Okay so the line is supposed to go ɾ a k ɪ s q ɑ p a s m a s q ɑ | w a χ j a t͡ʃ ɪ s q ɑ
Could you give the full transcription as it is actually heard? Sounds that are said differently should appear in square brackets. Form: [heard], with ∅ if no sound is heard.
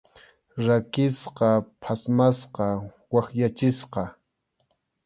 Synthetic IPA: ɾ a k ɪ s q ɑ [pʰ] a s m a s q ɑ | w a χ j a t͡ʃ ɪ s q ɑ